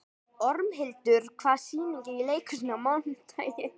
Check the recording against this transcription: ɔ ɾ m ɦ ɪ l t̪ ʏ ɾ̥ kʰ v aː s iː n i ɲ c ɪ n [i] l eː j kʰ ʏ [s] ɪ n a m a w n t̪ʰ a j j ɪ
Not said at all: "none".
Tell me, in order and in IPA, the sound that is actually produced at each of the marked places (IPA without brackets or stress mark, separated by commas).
i, s